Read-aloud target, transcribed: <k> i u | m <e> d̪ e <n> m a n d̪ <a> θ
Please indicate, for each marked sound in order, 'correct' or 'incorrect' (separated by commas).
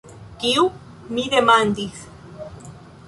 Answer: correct, incorrect, incorrect, incorrect